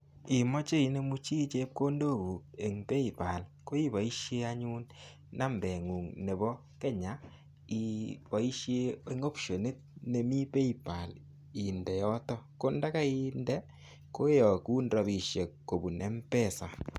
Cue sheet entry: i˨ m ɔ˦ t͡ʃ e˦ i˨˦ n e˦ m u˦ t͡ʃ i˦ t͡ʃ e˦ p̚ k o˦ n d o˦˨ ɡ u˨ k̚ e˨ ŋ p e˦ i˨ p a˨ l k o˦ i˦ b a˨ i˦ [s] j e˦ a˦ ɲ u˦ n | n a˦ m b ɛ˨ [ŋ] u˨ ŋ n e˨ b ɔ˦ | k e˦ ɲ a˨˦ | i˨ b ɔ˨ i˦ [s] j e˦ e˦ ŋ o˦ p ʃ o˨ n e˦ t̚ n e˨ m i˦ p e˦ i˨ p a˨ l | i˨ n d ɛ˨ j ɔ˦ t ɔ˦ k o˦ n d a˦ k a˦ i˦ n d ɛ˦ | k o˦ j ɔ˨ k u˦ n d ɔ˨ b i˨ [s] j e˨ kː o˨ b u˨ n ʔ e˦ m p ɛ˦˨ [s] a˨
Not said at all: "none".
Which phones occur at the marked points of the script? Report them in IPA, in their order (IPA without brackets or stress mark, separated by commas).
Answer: ʃ, ŋ, ʃ, ʃ, s